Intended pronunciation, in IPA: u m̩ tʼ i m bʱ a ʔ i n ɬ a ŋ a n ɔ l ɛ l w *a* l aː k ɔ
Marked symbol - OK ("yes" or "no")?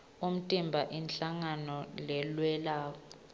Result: no